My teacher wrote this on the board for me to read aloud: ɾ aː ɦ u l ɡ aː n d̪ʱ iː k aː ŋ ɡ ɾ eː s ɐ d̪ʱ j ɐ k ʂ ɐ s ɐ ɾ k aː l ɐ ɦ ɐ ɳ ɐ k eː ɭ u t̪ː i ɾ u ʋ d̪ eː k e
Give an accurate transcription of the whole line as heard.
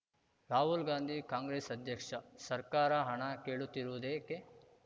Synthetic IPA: ɾ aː ɦ u l ɡ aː n d̪ʱ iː k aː ŋ ɡ ɾ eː s ɐ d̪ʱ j ɐ k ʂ ɐ s ɐ ɾ k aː ɾ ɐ ɦ ɐ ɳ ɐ k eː ɭ u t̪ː i ɾ u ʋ d̪ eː k e